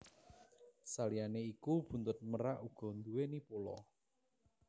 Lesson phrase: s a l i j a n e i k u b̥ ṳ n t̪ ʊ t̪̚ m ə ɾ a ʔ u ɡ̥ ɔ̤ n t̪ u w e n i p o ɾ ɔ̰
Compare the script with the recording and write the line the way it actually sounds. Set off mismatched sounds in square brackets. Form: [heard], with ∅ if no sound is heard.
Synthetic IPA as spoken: s a l i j a n e i k u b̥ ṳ n t̪ ʊ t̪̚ m ə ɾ a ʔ u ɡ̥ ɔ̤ n [d̪] u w e n i p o [l] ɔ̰